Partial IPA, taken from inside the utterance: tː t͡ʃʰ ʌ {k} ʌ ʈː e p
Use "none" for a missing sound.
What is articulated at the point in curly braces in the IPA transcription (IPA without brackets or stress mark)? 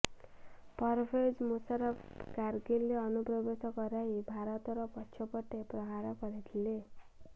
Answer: p